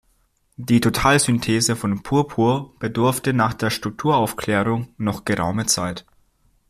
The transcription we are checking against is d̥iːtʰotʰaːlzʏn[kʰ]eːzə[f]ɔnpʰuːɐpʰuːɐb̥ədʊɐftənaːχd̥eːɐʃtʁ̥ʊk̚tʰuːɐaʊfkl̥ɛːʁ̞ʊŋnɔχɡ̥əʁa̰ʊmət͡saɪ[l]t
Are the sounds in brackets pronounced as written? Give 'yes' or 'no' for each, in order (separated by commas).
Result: no, yes, no